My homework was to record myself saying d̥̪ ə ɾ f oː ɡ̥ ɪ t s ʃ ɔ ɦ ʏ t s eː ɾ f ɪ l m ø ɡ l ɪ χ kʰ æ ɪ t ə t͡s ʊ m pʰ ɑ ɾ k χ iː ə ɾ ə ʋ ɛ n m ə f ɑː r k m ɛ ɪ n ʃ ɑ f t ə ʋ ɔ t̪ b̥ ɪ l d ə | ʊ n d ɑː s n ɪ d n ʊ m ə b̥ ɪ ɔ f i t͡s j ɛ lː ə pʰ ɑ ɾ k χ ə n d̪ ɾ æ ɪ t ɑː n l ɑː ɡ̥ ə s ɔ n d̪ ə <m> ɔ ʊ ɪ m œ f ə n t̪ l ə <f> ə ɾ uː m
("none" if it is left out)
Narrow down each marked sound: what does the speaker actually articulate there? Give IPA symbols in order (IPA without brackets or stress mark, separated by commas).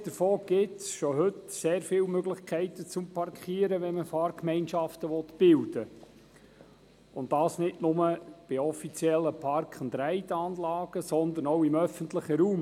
n, χ